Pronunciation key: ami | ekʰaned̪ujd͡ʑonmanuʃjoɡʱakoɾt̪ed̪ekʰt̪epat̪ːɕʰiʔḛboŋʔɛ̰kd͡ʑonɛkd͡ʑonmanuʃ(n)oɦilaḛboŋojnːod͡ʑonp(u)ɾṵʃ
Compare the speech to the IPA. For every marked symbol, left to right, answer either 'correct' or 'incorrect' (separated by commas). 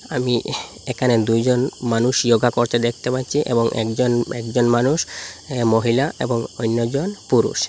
incorrect, correct